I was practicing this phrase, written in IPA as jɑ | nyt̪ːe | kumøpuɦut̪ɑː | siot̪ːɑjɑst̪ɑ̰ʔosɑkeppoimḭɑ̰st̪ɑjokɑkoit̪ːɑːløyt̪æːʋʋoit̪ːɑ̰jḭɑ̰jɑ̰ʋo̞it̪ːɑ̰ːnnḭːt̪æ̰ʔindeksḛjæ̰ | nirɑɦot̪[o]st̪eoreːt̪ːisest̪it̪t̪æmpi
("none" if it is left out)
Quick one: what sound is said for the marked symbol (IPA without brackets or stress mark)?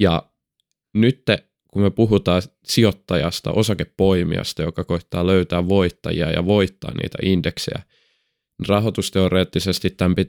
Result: u